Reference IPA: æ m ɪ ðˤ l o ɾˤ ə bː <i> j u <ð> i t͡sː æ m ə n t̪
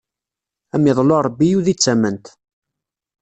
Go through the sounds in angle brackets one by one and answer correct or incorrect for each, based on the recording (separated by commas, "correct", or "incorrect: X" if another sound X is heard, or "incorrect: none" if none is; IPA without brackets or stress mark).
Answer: correct, correct